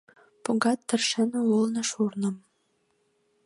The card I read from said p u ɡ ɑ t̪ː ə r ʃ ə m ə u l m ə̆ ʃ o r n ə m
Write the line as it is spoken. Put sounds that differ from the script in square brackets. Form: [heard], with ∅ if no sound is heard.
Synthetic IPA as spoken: p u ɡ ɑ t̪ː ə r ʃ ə [n] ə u l [n] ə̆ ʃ [u] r n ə m